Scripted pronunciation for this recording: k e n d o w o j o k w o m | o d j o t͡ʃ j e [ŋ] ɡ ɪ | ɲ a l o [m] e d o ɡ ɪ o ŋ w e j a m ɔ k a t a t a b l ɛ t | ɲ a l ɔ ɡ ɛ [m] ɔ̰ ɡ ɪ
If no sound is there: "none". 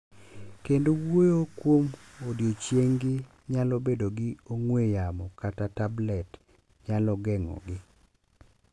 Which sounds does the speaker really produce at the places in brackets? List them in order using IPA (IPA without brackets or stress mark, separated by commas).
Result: ŋ, b, ŋ